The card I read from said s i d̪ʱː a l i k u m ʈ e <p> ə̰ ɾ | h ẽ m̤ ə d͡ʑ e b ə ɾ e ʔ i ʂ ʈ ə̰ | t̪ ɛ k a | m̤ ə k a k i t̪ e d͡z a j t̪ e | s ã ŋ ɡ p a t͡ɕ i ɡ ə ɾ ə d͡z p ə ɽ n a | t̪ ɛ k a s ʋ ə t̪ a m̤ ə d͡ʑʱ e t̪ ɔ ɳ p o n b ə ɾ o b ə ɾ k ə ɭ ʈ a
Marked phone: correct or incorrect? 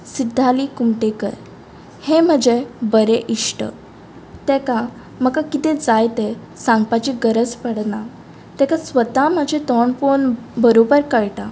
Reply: incorrect